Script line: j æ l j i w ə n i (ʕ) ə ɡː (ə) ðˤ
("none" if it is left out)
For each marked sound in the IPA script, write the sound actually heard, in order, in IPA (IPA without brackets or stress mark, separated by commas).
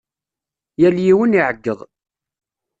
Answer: ʕ, ə